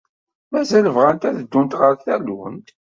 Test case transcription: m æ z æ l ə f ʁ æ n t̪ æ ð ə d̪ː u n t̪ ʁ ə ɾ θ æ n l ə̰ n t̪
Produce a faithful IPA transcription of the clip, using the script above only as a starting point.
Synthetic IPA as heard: m æ z æ l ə v ʁ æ n t̪ æ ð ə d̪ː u n t̪ ʁ ə ɾ θ æ l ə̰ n t̪